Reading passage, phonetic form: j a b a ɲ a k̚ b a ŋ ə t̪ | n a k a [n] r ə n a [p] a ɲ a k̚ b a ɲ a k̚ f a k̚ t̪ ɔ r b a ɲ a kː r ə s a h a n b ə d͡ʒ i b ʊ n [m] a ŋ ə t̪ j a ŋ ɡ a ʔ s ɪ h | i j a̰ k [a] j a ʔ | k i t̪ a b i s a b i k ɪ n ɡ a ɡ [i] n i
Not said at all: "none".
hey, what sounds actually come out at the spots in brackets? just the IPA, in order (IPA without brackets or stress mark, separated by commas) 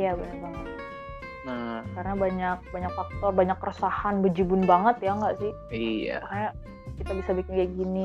none, b, b, a, i